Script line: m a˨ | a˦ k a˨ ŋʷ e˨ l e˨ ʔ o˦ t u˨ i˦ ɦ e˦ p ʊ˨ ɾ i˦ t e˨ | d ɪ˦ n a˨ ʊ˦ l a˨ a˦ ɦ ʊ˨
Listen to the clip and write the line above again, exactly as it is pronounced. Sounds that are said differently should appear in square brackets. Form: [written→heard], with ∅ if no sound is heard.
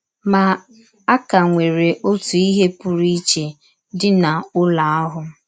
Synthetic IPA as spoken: m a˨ | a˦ k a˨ ŋʷ e˨ [l→ɾ] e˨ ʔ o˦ t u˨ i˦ ɦ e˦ p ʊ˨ ɾ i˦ [t→t͡ʃ] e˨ | d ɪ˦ n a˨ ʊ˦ l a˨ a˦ ɦ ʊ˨